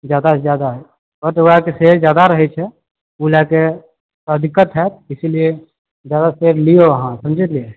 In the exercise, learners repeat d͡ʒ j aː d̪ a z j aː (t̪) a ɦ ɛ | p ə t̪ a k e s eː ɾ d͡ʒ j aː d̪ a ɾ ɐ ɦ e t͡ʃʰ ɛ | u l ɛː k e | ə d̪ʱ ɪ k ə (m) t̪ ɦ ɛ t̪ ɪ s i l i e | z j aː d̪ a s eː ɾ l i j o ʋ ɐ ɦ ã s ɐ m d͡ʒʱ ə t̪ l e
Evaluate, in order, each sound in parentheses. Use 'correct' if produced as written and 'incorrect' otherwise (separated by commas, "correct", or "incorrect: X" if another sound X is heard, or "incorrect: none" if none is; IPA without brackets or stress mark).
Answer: incorrect: d̪, incorrect: none